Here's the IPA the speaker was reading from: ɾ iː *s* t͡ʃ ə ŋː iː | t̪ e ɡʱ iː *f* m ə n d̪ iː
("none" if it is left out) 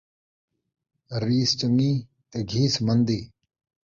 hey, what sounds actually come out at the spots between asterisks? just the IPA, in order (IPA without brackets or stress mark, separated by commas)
s, s